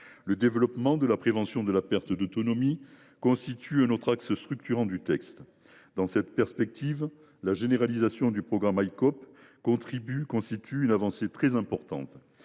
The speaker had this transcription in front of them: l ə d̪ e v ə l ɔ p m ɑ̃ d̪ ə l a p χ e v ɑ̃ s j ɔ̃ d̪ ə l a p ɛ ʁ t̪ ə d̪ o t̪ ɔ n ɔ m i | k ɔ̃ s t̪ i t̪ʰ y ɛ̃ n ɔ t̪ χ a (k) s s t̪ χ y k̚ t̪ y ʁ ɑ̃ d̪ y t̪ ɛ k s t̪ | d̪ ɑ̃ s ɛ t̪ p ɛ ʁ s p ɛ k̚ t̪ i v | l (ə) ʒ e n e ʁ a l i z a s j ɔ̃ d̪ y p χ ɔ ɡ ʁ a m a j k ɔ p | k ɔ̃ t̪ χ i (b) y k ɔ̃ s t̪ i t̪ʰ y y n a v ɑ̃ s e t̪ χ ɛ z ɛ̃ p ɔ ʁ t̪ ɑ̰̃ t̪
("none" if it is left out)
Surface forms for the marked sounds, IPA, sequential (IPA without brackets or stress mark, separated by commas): k, a, b